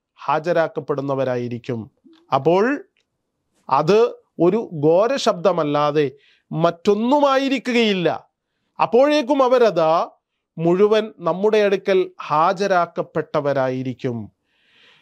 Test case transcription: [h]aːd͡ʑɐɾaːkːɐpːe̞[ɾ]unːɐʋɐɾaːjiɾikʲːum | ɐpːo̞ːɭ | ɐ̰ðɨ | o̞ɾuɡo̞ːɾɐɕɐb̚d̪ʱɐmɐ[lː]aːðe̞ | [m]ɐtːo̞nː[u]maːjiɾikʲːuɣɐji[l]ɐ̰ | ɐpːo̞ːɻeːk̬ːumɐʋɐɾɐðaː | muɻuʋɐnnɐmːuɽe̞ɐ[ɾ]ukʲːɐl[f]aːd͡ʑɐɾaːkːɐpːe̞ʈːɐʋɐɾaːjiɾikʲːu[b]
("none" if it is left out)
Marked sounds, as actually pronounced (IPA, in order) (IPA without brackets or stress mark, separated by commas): h, ɽ, lː, m, u, lː, ɽ, h, m